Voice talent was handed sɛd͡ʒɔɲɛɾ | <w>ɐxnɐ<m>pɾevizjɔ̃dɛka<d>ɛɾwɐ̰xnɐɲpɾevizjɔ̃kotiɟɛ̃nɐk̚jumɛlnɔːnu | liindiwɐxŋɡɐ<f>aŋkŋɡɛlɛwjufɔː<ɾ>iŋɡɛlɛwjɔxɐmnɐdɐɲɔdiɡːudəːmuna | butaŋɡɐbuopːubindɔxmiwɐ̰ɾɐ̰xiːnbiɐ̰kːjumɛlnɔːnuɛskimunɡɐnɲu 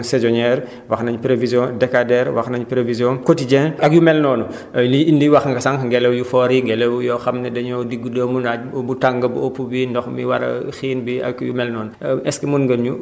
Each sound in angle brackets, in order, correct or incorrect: correct, incorrect: ɲ, correct, incorrect: s, correct

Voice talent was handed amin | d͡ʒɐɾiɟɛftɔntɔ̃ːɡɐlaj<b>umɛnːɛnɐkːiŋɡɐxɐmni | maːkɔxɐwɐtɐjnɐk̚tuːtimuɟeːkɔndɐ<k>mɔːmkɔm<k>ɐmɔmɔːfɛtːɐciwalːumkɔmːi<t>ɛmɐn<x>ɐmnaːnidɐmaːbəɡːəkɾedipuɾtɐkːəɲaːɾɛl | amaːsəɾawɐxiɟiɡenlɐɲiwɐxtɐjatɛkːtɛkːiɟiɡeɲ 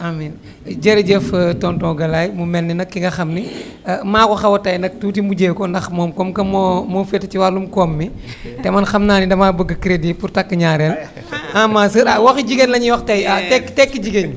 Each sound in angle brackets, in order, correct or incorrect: incorrect: m, incorrect: x, correct, correct, correct

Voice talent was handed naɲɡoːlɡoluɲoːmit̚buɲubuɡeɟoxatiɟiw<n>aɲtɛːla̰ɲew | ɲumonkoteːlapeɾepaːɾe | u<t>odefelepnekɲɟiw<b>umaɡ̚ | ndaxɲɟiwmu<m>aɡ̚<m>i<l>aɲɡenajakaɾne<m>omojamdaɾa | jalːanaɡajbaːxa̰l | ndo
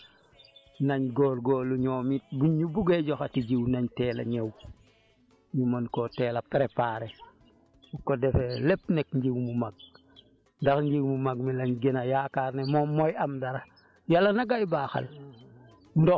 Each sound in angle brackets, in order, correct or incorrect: correct, incorrect: k, incorrect: m, correct, correct, correct, correct

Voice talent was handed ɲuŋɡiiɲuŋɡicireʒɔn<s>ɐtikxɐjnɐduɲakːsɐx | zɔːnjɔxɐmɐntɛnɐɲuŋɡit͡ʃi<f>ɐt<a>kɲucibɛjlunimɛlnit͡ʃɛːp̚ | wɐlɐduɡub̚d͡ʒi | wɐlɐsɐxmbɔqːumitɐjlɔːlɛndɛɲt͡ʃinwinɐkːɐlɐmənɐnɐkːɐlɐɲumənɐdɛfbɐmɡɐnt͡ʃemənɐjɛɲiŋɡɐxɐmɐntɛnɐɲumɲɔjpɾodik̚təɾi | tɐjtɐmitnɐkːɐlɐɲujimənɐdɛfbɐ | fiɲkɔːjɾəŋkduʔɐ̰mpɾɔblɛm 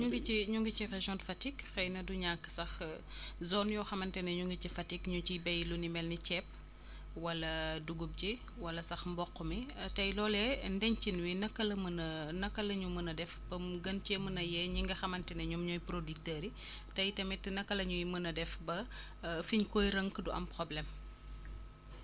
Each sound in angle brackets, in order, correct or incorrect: incorrect: f, correct, incorrect: i

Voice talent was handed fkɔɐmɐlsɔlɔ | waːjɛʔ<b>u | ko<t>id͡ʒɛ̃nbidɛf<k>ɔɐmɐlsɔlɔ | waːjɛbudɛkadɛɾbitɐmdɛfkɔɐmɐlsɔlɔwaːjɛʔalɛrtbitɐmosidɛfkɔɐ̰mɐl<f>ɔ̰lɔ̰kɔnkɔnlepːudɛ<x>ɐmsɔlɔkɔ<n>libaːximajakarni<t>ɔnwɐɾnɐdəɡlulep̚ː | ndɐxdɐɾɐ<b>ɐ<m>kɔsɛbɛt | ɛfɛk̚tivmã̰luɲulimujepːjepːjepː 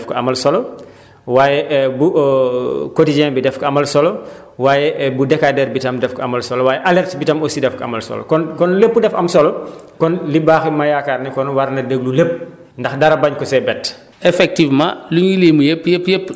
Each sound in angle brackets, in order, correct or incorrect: correct, correct, correct, incorrect: s, incorrect: f, correct, incorrect: k, correct, incorrect: ɲ

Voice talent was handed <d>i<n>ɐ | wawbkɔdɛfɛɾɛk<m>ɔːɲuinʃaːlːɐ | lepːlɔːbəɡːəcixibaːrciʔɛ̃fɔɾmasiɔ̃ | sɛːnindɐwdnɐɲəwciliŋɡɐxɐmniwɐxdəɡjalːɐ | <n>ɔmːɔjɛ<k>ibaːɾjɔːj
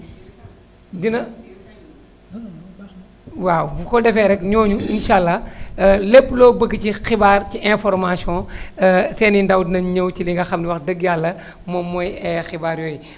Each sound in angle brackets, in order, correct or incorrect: correct, correct, incorrect: ɲ, incorrect: m, incorrect: x

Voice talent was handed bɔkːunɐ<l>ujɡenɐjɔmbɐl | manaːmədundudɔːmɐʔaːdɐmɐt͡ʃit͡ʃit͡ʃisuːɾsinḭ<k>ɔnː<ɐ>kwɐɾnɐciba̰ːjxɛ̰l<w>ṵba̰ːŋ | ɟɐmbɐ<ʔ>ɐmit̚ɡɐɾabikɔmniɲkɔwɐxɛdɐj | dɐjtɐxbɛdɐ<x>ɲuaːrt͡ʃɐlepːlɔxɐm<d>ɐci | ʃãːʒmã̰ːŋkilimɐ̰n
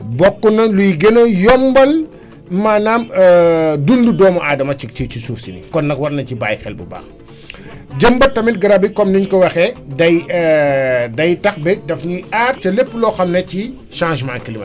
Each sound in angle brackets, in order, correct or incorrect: correct, correct, correct, incorrect: b, incorrect: t, incorrect: f, incorrect: n

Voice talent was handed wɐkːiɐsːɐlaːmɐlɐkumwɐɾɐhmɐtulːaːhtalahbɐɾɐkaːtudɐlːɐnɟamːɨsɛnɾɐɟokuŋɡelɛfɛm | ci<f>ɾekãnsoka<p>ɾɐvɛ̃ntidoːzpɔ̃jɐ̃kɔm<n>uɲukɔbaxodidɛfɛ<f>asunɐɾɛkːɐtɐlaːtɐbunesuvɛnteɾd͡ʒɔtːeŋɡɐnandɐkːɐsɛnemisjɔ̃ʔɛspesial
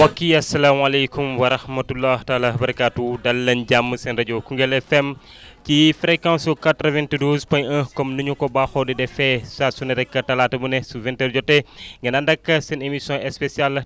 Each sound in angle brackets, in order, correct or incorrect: correct, incorrect: t, correct, incorrect: s

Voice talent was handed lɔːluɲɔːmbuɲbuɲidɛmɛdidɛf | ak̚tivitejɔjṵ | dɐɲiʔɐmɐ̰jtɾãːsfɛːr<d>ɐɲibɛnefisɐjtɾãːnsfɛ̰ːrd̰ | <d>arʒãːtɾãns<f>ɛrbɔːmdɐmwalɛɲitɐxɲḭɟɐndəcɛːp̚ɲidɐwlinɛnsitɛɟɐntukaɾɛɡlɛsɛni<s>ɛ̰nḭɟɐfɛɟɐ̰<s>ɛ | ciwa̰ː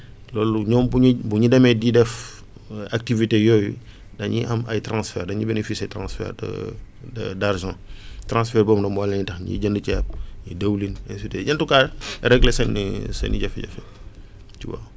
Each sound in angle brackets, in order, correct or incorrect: correct, correct, correct, correct, incorrect: f

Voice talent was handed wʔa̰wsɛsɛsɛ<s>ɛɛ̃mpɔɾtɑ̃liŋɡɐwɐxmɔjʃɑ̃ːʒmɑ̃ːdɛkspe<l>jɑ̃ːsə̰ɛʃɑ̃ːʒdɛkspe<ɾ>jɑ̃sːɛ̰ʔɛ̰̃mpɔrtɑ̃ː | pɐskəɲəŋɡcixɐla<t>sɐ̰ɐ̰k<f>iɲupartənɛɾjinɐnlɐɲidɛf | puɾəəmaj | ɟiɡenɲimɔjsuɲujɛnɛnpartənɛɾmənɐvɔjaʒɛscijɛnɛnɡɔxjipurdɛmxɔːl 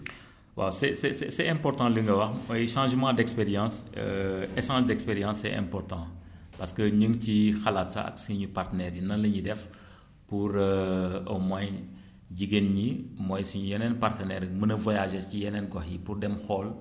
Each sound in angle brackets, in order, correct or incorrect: correct, incorrect: ɾ, correct, correct, incorrect: s

